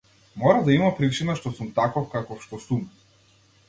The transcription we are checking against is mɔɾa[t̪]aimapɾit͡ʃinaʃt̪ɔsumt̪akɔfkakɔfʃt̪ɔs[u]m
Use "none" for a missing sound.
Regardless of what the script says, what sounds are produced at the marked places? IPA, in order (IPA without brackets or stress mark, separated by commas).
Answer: d̪, u